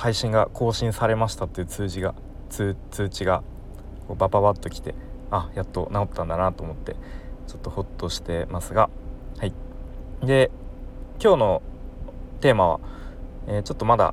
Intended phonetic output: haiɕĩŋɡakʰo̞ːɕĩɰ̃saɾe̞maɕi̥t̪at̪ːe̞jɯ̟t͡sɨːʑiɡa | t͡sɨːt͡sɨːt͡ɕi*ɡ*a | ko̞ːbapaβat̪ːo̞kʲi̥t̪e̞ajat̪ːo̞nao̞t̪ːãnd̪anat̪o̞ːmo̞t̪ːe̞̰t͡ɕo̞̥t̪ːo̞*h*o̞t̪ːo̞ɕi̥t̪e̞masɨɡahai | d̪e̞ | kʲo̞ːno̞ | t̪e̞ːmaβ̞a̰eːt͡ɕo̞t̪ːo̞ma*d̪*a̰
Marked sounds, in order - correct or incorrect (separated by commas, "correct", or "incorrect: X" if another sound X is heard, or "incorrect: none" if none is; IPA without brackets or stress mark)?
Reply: correct, correct, correct